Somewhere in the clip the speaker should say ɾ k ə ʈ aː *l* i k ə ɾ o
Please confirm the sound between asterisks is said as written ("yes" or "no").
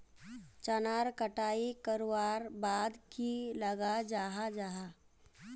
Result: no